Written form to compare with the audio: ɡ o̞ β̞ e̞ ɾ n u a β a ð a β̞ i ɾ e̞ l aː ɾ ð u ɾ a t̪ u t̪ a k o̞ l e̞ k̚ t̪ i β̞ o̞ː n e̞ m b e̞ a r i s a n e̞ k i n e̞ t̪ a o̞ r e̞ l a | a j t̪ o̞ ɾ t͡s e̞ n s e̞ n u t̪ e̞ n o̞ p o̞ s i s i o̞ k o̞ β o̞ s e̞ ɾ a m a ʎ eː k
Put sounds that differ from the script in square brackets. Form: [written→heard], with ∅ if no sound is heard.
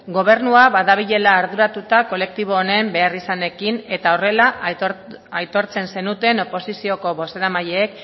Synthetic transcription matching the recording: ɡ o̞ β̞ e̞ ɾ n u a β a ð a β̞ i [ɾ→ʎ] e̞ l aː ɾ ð u ɾ a t̪ u t̪ a k o̞ l e̞ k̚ t̪ i β̞ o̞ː n e̞ m b e̞ a r i s a n e̞ k i n e̞ t̪ a o̞ r e̞ l a | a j t̪ o̞ ɾ t͡s e̞ n s e̞ n u t̪ e̞ n o̞ p o̞ s i s i o̞ k o̞ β o̞ s e̞ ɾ a m a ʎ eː k